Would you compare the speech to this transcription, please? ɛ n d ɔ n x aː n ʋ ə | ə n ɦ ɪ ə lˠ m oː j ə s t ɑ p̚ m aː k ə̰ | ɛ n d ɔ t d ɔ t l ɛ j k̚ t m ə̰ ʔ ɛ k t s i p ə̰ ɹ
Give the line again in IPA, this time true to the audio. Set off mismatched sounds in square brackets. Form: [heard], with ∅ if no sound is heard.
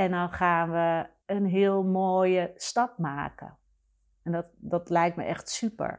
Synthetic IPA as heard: ɛ n d ɔ n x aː n ʋ ə | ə n ɦ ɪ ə lˠ m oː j ə s t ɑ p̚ m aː k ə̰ | ɛ n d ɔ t d ɔ t l ɛ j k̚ t m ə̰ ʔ ɛ [x] t s [y] p ə̰ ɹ